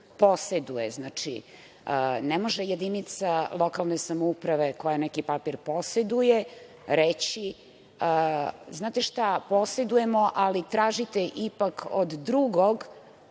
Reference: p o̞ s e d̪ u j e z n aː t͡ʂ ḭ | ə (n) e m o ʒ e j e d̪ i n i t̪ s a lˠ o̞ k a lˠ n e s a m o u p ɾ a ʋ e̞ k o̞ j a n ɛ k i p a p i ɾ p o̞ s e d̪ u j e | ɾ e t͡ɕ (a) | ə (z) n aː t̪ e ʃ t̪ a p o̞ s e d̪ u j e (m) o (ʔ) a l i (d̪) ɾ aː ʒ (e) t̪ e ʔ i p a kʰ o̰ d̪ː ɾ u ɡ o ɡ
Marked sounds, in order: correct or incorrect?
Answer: correct, incorrect: i, correct, correct, correct, incorrect: t̪, incorrect: i

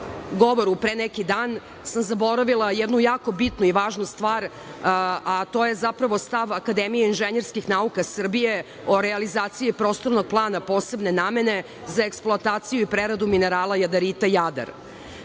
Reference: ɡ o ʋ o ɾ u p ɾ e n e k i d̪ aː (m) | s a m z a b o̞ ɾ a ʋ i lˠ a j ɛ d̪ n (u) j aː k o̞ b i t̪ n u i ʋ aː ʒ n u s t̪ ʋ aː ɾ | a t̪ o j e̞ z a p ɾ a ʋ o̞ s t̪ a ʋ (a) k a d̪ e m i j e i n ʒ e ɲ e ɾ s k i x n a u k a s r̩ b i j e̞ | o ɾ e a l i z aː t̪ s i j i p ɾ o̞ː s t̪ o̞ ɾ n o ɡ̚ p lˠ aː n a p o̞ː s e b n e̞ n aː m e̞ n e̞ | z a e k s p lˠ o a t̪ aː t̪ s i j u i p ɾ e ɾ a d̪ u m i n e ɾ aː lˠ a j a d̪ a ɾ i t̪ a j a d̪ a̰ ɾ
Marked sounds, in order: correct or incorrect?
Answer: incorrect: n, correct, correct

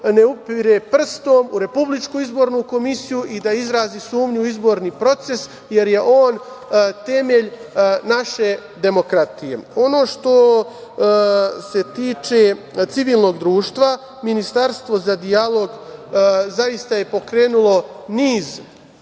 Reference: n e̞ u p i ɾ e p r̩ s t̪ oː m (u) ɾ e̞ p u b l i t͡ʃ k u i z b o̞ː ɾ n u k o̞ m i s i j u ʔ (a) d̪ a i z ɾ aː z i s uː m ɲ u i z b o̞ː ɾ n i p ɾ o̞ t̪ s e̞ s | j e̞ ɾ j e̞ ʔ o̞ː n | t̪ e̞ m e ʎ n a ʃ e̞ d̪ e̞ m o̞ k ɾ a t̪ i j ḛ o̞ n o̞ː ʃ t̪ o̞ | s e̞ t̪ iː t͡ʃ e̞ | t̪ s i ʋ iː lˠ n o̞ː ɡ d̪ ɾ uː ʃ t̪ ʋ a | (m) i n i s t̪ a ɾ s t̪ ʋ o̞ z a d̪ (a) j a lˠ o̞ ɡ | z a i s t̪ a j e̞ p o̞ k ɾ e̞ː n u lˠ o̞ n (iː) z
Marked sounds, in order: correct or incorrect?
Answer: correct, incorrect: i, correct, incorrect: i, correct

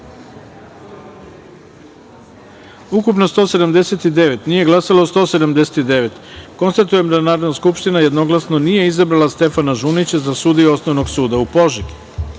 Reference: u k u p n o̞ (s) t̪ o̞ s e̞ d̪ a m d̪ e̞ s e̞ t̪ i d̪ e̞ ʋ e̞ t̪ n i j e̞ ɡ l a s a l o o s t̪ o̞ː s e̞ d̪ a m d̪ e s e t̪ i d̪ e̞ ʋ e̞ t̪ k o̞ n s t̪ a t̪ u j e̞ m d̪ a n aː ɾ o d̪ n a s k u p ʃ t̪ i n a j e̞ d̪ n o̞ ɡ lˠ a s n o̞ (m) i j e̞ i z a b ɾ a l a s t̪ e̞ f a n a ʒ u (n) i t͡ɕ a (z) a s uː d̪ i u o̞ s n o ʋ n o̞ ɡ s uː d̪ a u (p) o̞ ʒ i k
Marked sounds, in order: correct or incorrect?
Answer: correct, incorrect: n, correct, correct, correct

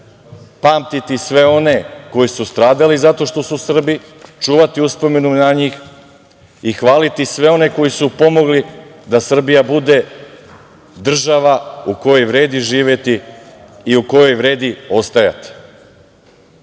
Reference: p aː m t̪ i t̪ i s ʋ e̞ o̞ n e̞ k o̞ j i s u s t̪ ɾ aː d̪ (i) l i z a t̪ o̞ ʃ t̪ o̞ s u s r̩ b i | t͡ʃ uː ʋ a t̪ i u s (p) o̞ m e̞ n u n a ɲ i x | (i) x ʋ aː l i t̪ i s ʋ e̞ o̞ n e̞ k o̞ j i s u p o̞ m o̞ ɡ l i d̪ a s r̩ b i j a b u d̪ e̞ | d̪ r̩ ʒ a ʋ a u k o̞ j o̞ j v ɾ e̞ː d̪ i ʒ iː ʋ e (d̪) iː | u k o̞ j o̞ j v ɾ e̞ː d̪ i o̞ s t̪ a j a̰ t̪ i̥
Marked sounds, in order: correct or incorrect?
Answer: incorrect: a, correct, correct, incorrect: t̪

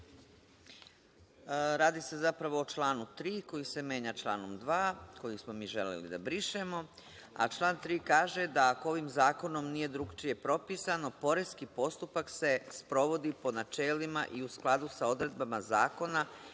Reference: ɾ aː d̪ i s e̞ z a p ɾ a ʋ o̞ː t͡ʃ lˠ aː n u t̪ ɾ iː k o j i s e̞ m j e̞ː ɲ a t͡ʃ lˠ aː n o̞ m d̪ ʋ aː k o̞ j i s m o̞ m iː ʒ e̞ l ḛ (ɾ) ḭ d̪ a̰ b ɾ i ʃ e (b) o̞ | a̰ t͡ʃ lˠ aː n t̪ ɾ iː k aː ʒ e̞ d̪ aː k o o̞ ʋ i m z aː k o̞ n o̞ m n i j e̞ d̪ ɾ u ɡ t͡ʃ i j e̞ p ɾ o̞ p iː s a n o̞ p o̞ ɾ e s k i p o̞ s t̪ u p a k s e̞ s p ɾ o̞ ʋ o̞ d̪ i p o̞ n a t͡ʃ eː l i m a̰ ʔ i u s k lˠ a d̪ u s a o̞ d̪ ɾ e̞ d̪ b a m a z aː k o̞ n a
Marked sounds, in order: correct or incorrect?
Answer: incorrect: l, incorrect: m

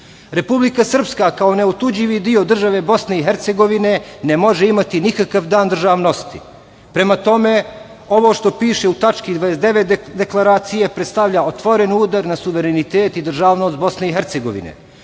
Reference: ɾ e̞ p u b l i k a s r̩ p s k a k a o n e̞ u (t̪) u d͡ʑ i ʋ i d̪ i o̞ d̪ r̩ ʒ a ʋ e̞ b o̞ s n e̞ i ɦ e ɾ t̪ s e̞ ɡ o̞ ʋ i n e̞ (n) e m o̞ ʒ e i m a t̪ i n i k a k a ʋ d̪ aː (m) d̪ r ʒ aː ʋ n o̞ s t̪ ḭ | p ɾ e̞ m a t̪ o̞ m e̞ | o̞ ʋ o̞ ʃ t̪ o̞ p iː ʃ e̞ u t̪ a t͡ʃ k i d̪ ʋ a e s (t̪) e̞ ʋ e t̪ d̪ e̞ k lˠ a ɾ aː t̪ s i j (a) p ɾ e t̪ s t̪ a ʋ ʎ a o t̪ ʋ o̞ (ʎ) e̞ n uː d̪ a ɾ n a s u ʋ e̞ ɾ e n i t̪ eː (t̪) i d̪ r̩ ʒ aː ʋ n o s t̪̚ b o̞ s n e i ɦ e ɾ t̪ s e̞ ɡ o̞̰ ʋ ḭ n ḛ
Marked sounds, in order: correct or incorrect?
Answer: correct, correct, incorrect: n, incorrect: d̪, incorrect: e, incorrect: ɾ, correct

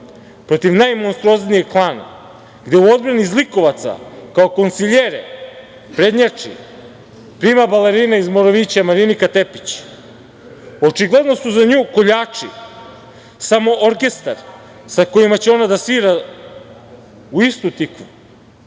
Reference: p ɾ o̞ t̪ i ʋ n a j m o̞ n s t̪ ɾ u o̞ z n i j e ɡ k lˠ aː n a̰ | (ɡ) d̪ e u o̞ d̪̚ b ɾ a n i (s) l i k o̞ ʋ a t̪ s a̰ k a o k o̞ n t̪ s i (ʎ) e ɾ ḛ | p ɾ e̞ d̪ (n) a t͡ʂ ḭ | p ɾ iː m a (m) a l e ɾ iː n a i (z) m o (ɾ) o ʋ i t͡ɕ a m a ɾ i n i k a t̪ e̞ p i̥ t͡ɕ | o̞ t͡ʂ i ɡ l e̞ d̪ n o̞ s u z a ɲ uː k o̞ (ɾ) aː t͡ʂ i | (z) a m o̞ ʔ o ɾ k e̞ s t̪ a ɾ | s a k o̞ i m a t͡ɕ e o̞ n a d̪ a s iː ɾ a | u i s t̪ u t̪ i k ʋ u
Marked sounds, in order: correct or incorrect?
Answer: correct, incorrect: z, correct, incorrect: ɲ, incorrect: b, correct, correct, incorrect: ʎ, incorrect: s

